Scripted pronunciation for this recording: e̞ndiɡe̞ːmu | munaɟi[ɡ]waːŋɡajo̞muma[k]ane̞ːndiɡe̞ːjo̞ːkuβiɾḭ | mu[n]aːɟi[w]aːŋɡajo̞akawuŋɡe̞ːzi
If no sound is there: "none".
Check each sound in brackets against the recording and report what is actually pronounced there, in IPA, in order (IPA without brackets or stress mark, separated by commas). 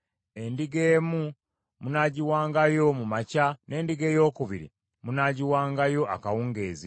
none, c, n, w